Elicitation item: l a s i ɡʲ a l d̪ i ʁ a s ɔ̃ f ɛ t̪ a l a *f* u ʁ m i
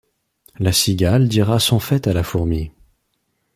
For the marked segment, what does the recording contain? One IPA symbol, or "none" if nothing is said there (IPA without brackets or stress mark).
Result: f